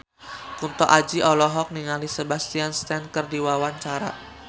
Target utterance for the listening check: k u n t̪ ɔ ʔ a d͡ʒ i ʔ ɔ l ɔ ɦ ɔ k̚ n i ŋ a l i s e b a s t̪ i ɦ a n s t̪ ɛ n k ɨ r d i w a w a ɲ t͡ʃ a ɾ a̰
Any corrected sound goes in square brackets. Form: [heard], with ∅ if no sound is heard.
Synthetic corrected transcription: k u n t̪ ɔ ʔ a d͡ʒ i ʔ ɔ l ɔ ɦ ɔ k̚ n i ŋ a l i s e b a s t̪ i [∅] a n s t̪ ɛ n k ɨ r d i w a w a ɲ t͡ʃ a ɾ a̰